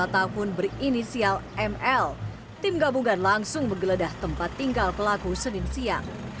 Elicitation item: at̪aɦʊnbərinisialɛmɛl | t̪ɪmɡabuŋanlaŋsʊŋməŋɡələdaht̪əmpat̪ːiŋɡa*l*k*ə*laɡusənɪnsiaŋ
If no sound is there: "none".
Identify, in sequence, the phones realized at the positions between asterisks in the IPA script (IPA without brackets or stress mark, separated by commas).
l, ə